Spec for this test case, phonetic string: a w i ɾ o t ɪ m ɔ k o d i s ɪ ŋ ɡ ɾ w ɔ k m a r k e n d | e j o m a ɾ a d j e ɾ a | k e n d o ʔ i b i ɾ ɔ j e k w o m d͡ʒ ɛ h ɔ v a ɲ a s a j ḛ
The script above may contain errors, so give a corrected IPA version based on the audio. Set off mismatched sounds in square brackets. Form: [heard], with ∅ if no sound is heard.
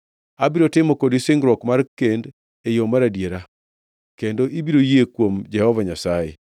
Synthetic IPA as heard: a [b] i ɾ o t ɪ m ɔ k o d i s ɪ ŋ ɡ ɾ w ɔ k m a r k e n d | e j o m a ɾ a d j e ɾ a | k e n d o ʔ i b i ɾ [o] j e k w o m d͡ʒ ɛ h ɔ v a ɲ a s a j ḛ